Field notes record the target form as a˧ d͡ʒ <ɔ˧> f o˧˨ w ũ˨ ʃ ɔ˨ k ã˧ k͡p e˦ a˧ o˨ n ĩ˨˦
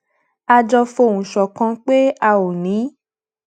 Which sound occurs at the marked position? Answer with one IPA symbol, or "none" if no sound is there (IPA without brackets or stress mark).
ɔ˧